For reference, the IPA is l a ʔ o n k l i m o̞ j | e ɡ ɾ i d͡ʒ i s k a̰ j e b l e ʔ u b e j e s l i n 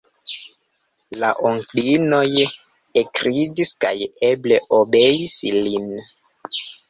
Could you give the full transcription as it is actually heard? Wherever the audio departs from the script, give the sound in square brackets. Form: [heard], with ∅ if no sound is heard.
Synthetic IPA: l a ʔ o [ŋ] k l i [n] o̞ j | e [k] ɾ i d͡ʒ i s k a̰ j e b l e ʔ [o] b e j [i] s l i n